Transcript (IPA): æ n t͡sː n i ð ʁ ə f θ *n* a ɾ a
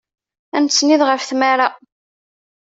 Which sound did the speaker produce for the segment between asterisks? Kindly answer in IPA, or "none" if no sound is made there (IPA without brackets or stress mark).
m